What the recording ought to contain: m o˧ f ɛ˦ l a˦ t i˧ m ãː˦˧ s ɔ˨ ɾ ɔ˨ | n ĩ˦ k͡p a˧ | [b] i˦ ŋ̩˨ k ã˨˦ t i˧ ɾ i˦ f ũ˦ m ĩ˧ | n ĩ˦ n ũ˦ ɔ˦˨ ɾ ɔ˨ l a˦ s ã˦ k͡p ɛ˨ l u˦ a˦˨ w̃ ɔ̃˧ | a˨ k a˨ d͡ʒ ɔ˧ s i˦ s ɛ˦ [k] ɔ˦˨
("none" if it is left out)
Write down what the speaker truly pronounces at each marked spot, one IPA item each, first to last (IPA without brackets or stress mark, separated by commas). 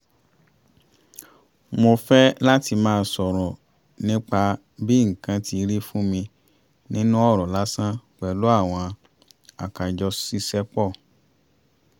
b, k͡p